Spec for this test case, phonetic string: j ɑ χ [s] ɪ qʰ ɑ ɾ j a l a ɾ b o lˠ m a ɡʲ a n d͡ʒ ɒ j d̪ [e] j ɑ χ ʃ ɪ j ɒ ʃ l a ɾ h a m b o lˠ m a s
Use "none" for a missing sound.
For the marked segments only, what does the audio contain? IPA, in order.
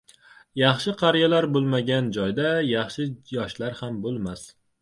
ʃ, a

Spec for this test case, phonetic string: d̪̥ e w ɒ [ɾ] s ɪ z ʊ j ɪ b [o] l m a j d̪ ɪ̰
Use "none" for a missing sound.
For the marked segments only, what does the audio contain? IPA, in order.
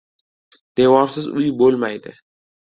ɾ, o

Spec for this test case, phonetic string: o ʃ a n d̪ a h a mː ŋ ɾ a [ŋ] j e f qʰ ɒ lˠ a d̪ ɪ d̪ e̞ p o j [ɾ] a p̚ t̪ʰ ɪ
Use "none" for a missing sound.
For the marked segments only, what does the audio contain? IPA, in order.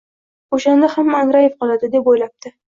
none, l

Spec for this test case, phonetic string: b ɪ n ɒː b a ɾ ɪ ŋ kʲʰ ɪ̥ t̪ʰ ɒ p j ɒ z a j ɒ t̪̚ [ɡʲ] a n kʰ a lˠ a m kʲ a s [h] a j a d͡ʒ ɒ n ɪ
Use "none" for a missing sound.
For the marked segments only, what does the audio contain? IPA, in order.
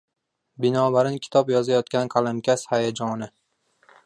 kʲ, h

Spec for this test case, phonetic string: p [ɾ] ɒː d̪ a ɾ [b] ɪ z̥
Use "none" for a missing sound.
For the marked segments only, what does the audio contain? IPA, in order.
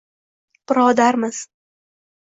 ɾ, m

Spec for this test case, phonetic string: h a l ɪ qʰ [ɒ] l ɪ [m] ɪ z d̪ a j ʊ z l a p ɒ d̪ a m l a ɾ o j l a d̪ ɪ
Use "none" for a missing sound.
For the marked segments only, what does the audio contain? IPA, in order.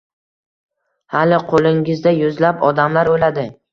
o, ŋ

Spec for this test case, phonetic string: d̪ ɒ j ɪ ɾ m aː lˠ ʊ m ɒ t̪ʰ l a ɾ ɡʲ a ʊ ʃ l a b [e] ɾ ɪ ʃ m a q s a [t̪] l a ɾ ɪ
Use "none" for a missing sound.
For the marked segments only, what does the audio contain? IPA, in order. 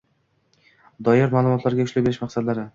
e, d̪

